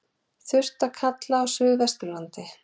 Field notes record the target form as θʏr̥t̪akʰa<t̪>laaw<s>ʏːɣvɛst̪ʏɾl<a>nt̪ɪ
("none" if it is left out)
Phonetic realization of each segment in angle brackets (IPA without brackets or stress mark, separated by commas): t̪, s, a